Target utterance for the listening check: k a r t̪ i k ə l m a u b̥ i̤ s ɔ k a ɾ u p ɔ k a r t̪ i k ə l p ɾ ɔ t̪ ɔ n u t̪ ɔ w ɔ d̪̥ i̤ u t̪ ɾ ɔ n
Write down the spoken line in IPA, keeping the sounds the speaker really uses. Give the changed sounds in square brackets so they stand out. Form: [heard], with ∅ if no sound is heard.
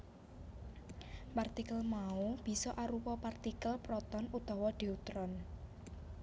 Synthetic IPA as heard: [p] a r t̪ i k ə l m a u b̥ i̤ s ɔ [ʔ] a ɾ u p ɔ [p] a r t̪ i k ə l p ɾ ɔ t̪ ɔ n u t̪ ɔ w ɔ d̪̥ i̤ u t̪ ɾ ɔ n